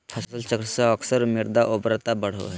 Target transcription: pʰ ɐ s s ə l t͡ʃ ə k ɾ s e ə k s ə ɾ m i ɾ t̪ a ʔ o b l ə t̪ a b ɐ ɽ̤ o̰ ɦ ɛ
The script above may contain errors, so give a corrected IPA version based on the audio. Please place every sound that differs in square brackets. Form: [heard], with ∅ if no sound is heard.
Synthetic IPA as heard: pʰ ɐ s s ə l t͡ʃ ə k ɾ s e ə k s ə ɾ m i ɾ [d̪] a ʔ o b [ɾ] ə t̪ a b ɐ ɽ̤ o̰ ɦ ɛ